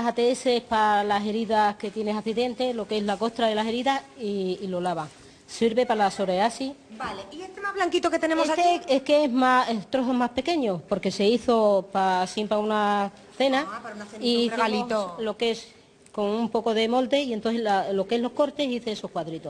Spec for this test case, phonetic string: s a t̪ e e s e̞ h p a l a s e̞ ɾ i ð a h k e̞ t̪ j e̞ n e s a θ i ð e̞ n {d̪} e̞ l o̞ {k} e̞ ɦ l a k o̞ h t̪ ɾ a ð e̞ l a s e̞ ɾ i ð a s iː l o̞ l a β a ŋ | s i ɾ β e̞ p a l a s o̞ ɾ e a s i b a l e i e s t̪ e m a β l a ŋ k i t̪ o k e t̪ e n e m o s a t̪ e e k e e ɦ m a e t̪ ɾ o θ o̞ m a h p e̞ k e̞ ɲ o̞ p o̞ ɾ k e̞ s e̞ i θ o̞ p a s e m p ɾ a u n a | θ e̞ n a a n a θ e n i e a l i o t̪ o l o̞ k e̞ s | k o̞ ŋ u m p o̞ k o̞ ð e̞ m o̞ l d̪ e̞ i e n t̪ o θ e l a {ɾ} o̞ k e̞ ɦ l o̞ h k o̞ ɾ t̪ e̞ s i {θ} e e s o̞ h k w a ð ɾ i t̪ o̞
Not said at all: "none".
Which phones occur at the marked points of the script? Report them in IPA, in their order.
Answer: t̪, k, l, θ

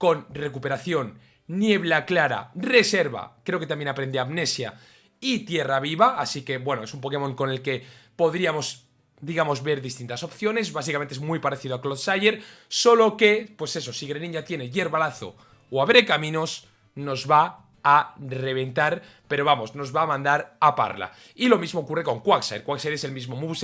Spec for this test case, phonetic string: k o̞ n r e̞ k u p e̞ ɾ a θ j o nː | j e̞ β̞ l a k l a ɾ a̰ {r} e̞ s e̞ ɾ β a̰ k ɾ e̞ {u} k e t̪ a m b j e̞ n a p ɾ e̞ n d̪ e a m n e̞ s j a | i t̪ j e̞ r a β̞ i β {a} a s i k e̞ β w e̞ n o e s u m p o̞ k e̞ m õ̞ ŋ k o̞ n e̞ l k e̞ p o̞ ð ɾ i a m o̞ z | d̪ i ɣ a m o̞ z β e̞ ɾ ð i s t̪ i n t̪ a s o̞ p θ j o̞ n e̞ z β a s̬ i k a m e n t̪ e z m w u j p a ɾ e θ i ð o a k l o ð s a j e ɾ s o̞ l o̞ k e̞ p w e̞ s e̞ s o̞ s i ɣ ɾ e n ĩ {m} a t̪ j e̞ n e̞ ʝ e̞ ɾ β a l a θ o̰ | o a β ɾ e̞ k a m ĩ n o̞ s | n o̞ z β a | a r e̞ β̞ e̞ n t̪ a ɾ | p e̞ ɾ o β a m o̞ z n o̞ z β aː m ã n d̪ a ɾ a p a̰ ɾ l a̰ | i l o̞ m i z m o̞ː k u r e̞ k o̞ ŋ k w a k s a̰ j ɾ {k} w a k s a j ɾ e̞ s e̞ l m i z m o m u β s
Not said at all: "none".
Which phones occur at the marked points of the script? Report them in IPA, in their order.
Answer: r, o, a, ɲ, k

